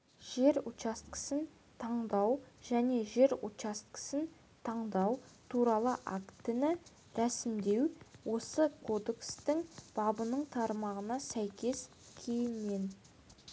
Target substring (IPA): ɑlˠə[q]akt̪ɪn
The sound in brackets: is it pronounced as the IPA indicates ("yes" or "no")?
no